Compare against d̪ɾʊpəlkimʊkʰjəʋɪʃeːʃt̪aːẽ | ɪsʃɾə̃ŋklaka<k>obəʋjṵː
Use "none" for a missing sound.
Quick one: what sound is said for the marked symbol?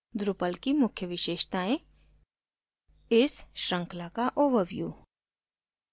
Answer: ʔ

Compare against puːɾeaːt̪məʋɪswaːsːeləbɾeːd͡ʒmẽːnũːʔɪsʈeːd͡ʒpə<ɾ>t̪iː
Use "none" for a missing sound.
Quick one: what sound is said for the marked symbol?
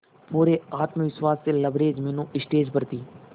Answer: ɾ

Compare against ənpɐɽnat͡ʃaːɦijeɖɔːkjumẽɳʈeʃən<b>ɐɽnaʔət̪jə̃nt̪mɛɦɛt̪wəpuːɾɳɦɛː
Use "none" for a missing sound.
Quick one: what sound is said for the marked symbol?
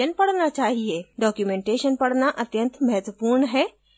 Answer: p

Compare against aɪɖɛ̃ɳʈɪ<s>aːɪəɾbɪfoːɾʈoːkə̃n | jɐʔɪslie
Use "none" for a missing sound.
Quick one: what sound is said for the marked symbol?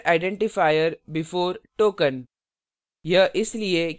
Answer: f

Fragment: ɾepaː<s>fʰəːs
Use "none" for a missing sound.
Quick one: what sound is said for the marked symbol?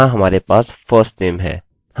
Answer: s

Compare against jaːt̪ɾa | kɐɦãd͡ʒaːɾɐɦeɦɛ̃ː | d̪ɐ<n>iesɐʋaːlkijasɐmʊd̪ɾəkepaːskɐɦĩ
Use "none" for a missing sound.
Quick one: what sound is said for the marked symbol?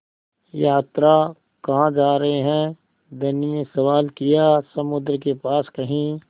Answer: n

